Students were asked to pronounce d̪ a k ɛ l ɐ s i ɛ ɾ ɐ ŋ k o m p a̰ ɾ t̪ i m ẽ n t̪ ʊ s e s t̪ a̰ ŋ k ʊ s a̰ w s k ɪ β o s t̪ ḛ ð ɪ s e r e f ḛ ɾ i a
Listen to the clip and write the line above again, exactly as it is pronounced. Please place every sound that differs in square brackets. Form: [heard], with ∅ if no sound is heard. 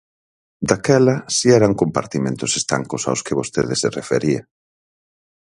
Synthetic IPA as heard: d̪ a k ɛ l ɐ s i ɛ ɾ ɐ ŋ k o m p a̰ ɾ t̪ i m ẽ n t̪ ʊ s e s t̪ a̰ ŋ k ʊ s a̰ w s k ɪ β o s t̪ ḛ ð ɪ s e r e f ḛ ɾ i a

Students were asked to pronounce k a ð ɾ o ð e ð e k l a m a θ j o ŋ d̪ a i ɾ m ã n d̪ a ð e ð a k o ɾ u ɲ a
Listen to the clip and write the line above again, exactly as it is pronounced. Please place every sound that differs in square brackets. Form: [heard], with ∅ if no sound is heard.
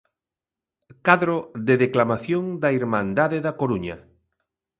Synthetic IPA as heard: k a ð ɾ o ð e ð e k l a m a θ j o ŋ d̪ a i ɾ m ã n d̪ a ð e ð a k o ɾ u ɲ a

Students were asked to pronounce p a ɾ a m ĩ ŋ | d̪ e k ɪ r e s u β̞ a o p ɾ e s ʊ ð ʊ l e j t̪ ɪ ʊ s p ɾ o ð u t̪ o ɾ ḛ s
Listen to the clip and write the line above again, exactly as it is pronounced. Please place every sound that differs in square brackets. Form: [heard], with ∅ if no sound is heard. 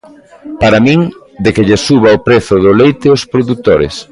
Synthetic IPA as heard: p a ɾ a m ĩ ŋ | d̪ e k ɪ [ʎ] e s u β̞ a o p ɾ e [θ] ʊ ð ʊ l e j t̪ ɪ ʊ s p ɾ o ð u t̪ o ɾ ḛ s

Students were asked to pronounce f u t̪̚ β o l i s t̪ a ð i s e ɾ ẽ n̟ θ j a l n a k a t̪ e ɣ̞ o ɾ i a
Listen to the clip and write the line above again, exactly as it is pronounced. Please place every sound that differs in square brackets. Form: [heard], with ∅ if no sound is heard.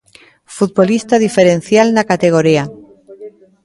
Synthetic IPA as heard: f u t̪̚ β o l i s t̪ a ð i [f] e ɾ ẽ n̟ θ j a l n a k a t̪ e ɣ̞ o ɾ i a

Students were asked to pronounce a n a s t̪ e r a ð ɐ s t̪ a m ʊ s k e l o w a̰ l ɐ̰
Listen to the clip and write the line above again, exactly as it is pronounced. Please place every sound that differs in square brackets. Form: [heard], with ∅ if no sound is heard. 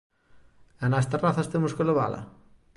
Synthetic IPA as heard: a n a s t̪ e r a [θ] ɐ s t̪ [e] m ʊ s k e l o [β] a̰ l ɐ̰

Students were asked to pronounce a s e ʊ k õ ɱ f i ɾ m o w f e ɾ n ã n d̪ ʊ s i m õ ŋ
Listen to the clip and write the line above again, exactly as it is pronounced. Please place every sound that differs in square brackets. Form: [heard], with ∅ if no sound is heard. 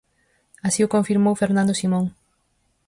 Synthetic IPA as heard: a s [i] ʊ k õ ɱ f i ɾ m o w f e ɾ n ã n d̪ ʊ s i m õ ŋ

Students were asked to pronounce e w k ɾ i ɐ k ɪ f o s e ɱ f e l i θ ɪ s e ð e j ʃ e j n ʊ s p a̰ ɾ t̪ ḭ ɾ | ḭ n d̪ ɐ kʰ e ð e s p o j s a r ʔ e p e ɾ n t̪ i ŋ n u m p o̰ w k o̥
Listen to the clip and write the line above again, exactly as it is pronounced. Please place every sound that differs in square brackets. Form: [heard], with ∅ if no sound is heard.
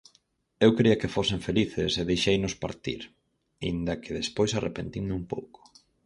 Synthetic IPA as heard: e w k ɾ i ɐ k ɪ f o s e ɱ f e l i θ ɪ s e ð e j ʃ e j n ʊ s p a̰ ɾ t̪ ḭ ɾ | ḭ n d̪ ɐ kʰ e ð e s p o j s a r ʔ e p e [∅] n t̪ i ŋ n u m p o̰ w k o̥

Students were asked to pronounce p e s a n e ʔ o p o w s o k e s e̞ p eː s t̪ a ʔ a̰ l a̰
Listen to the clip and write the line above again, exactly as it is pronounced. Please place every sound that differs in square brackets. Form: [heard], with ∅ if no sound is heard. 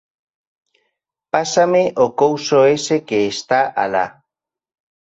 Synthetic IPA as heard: p [a] s a [m] e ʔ o [k] o w s o [∅] e s e̞ [k] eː s t̪ a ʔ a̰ l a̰

